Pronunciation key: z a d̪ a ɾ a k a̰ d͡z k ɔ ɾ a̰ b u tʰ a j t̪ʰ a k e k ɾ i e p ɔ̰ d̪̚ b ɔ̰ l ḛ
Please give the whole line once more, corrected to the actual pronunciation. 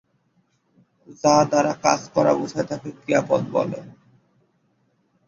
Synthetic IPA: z a d̪ a ɾ a k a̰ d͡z k ɔ ɾ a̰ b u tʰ a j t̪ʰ a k e k ɾ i a p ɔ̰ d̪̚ b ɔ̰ l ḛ